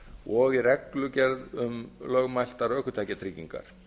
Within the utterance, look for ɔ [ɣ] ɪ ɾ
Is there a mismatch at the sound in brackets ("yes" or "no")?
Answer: no